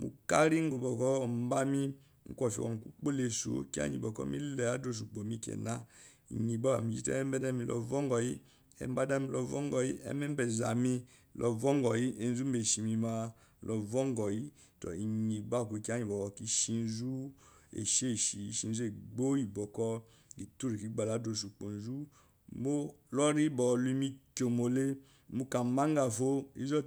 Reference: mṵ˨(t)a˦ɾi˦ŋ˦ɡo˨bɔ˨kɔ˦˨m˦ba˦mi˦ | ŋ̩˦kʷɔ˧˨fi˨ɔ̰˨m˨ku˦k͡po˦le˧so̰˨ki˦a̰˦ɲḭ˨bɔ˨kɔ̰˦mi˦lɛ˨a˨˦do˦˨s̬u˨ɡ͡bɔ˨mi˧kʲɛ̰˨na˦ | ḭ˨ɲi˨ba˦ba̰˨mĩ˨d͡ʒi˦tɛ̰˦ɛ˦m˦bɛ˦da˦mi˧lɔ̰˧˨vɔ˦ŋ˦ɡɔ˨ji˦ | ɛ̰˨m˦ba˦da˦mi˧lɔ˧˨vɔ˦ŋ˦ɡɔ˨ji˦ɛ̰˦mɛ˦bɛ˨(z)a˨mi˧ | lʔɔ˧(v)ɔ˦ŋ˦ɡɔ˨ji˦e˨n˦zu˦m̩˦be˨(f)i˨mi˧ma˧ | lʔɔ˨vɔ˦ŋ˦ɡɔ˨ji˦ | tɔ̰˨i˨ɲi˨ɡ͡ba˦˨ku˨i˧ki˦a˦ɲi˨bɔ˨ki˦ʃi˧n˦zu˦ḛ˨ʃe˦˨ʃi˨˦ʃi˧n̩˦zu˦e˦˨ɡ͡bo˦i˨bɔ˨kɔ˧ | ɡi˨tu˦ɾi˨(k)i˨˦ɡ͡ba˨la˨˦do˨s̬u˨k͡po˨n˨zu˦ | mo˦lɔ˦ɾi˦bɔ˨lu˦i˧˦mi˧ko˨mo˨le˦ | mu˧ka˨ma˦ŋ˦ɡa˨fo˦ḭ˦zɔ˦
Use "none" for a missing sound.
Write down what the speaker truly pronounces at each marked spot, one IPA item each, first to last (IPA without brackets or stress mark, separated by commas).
k, z, v, ʃ, k